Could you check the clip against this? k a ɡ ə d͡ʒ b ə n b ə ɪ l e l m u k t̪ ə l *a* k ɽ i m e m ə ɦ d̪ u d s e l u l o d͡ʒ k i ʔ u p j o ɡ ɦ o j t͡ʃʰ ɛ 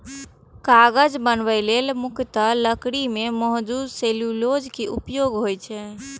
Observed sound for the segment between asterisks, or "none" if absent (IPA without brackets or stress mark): ə